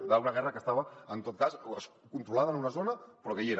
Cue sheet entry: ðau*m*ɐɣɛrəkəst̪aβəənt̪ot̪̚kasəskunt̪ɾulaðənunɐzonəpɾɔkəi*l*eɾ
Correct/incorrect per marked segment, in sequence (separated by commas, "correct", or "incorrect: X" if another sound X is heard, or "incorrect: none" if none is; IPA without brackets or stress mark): incorrect: n, incorrect: none